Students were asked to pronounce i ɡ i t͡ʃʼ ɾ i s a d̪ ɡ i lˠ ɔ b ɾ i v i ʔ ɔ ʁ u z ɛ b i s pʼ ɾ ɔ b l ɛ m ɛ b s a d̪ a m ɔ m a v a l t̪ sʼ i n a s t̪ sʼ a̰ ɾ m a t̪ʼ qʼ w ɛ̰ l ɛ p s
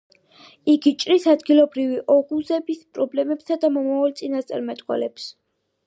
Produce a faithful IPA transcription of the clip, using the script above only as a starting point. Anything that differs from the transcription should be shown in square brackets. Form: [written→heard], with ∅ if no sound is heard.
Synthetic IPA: i ɡ i t͡ʃʼ ɾ i s a d̪ ɡ i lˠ ɔ b ɾ i v i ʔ ɔ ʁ u z ɛ b i s pʼ ɾ ɔ b l ɛ m ɛ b s a d̪ a m ɔ m a v a l t̪ sʼ i n a s t̪ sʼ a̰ ɾ m [a→ɛ] t̪ʼ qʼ w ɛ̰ l ɛ p s

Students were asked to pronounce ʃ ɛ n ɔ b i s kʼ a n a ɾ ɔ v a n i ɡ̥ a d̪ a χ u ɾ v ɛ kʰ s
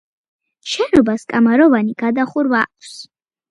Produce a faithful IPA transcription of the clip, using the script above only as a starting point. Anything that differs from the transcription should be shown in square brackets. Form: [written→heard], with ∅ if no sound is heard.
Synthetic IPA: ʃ ɛ n ɔ b [i→a] s kʼ a [n→m] a ɾ ɔ v a n i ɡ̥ a d̪ a χ u ɾ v [ɛ→a] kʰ s

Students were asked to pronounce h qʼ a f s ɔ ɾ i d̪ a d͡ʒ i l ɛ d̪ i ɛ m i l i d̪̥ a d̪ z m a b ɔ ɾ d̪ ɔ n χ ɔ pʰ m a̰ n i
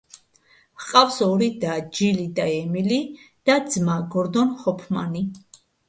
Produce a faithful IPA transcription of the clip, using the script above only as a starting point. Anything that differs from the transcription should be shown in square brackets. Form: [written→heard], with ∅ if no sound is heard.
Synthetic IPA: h qʼ a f s ɔ ɾ i d̪ a d͡ʒ i l [ɛ→i] d̪ [i→a] ɛ m i l i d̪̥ a d̪ z m a [b→ɡ] ɔ ɾ d̪ ɔ n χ ɔ pʰ m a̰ n i

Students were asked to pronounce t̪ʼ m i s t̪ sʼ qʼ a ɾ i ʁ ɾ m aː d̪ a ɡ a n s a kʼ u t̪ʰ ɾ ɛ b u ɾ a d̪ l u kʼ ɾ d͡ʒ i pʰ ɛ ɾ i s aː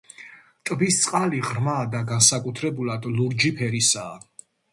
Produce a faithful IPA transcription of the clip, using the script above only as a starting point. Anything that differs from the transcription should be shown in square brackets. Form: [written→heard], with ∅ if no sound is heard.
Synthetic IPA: t̪ʼ [m→b] i s t̪ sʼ qʼ a [ɾ→l] i ʁ ɾ m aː d̪ a ɡ a n s a kʼ u t̪ʰ ɾ ɛ b u [ɾ→l] a d̪ l u [kʼ→∅] ɾ d͡ʒ i pʰ ɛ ɾ i s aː

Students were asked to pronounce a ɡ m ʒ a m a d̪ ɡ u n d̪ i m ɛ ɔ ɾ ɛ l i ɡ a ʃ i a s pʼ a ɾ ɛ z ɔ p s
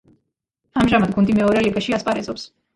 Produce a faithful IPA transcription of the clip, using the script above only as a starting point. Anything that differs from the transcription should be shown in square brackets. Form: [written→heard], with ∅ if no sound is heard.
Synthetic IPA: a [ɡ→∅] m ʒ a m a d̪ ɡ u n d̪ i m ɛ ɔ ɾ ɛ l i ɡ a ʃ i a s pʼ a ɾ ɛ z ɔ p s

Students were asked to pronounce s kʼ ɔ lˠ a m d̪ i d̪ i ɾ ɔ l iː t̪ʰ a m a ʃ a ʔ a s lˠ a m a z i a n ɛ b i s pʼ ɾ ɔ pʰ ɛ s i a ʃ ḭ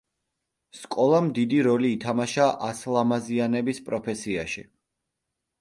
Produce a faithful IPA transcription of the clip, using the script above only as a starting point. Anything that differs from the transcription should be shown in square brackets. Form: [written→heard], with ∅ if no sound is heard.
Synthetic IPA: s kʼ ɔ lˠ a m d̪ i d̪ i ɾ ɔ l iː t̪ʰ a m a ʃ a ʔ a s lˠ a m a z i a n ɛ b i s pʼ ɾ ɔ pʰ ɛ s i a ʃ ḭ

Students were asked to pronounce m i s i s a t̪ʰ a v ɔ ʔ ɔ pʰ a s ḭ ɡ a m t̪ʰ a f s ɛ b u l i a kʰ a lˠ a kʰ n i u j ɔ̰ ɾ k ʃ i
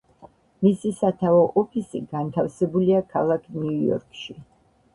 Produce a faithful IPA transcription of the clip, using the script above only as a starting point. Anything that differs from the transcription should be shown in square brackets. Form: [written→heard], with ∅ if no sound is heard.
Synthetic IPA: m i s i s a t̪ʰ a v ɔ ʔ ɔ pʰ [a→i] s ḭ ɡ a [m→n] t̪ʰ a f s ɛ b u l i a kʰ a lˠ a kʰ n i u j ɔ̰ ɾ k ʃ i

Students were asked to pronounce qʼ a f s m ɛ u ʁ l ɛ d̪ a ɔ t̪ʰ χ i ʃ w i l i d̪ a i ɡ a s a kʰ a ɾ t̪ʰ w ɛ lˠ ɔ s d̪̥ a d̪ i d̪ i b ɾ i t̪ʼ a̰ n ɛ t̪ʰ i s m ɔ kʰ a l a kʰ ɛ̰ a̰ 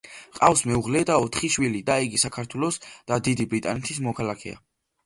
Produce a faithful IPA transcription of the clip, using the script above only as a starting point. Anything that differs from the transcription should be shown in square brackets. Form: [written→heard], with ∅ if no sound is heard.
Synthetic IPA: qʼ a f s m ɛ u ʁ l ɛ d̪ a ɔ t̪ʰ χ i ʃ w i l i d̪ a i ɡ [a→i] s a kʰ a ɾ t̪ʰ w ɛ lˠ ɔ s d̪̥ a d̪ i d̪ i b ɾ i t̪ʼ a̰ n ɛ t̪ʰ i s m ɔ kʰ a l a kʰ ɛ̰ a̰

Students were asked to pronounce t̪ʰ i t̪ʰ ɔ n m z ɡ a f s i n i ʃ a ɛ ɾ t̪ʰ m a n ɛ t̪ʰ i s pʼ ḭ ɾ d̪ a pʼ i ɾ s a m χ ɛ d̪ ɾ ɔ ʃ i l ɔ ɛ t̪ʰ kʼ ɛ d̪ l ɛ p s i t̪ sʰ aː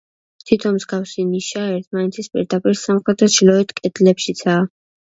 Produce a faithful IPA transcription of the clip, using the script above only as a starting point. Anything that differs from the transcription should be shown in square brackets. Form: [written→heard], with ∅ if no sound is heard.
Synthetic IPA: t̪ʰ i t̪ʰ ɔ n m z ɡ a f s i n i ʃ a ɛ ɾ t̪ʰ m a n ɛ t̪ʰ i s pʼ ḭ ɾ d̪ a pʼ i ɾ s a m χ ɛ d̪ ɾ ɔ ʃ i l ɔ ɛ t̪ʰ kʼ ɛ d̪ l ɛ p [s→ʃ] i t̪ sʰ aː

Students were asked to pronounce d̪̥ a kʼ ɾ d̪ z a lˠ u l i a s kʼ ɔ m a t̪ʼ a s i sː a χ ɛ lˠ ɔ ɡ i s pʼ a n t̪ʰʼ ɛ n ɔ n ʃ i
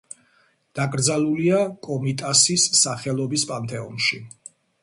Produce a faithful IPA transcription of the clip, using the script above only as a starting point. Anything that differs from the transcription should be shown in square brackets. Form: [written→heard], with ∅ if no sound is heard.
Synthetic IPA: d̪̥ a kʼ ɾ d̪ z a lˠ u l i a [s→∅] kʼ ɔ m [a→i] t̪ʼ a s i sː a χ ɛ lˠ ɔ [ɡ→b] i s pʼ a n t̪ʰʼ ɛ [n→∅] ɔ n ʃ i

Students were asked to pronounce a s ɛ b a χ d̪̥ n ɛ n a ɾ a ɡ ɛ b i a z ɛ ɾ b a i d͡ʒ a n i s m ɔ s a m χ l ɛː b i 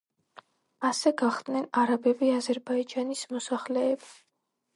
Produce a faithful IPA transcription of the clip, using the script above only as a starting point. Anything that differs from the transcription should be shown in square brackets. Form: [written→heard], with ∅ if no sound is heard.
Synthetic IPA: a s ɛ [b→ɡ] a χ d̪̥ n ɛ n a ɾ a [ɡ→b] ɛ b i a z ɛ ɾ b a i d͡ʒ a n i s m ɔ s a [m→∅] χ l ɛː b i

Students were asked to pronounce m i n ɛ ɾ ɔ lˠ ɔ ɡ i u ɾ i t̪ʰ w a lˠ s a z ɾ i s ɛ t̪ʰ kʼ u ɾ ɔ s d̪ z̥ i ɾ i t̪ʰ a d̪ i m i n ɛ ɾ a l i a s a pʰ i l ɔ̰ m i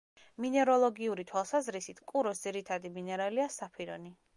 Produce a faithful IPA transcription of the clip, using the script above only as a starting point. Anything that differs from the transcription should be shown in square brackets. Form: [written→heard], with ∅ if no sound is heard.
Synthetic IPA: m i n ɛ ɾ ɔ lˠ ɔ ɡ i u ɾ i t̪ʰ w a lˠ s a z ɾ i s [ɛ→i] t̪ʰ kʼ u ɾ ɔ s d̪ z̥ i ɾ i t̪ʰ a d̪ i m i n ɛ ɾ a l i a s a pʰ i [l→ɾ] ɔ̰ [m→n] i

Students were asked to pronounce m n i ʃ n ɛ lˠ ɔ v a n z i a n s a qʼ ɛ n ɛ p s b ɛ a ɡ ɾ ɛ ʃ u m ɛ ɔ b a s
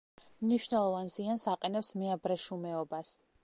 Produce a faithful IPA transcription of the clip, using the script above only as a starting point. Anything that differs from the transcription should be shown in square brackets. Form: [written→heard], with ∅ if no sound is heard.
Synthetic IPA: m n i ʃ n ɛ lˠ ɔ v a n z i a n s a qʼ ɛ n ɛ p s [b→m] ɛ a [ɡ→b] ɾ ɛ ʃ u m ɛ ɔ b a s

